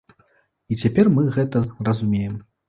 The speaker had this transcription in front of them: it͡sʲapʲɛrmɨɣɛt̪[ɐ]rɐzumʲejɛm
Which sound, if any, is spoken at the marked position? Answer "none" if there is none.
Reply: ɐ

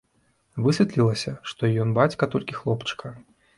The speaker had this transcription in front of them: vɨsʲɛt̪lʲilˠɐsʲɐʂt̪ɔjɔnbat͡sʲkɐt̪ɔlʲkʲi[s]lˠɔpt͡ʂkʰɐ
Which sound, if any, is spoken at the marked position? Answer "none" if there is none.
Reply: x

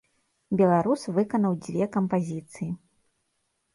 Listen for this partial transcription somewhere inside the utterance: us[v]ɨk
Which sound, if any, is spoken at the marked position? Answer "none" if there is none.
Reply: v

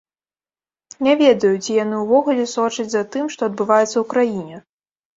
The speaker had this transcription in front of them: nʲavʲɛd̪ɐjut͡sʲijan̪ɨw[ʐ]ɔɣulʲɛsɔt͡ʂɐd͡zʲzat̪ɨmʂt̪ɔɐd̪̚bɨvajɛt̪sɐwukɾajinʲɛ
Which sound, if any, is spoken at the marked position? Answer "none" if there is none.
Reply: v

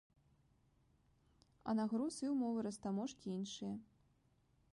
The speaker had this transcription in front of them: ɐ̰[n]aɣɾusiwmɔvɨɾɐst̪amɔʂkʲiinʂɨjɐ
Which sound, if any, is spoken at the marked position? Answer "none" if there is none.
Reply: n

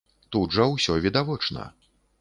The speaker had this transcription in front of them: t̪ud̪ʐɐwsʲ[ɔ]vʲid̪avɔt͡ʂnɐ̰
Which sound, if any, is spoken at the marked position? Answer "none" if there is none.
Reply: ɔ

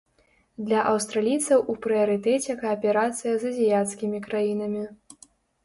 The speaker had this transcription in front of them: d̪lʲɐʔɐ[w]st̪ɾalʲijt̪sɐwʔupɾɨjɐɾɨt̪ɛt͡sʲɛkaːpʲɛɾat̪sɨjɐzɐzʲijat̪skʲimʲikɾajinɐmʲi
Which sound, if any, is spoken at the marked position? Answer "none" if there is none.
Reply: w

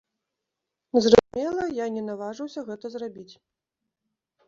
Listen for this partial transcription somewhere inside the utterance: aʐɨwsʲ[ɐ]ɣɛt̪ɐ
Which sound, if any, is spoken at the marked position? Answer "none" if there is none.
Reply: ɐ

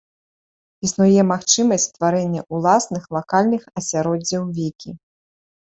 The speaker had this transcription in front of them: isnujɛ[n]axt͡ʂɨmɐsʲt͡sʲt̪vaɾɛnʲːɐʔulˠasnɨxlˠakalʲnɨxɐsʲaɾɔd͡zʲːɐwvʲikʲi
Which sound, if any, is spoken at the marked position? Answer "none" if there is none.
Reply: m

